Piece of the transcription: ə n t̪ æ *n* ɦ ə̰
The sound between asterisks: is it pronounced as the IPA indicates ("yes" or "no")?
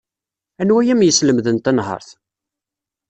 yes